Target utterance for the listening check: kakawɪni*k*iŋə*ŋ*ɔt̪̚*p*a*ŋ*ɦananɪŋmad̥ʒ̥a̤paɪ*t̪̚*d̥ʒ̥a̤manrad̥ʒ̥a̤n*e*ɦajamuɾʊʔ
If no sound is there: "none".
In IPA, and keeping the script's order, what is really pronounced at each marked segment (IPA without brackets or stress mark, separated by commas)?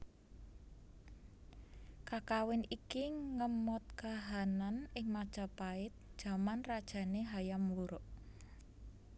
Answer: k, m, k, none, t̪̚, e